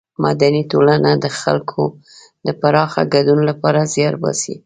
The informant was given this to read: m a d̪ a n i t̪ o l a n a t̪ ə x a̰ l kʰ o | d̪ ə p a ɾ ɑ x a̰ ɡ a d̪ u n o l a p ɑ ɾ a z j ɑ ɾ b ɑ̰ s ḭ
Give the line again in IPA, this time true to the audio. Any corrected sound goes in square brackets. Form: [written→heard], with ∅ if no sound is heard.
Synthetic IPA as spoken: m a d̪ a n i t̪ o l a n a [t̪→d̪] ə x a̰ l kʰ o | d̪ ə p a ɾ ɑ x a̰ ɡ a d̪ u n o l a p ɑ ɾ a z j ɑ ɾ b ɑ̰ s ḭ